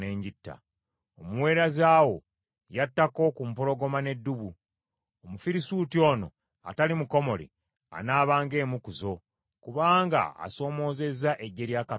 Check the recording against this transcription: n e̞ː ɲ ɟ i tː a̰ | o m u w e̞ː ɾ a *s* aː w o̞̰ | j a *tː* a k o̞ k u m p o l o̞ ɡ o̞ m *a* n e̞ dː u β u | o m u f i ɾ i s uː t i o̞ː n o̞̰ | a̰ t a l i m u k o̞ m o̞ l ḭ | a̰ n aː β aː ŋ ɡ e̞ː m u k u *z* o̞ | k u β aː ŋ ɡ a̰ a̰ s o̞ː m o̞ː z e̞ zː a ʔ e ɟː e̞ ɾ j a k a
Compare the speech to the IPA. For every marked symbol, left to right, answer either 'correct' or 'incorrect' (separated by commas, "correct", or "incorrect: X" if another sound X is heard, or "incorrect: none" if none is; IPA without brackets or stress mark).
incorrect: z, correct, correct, correct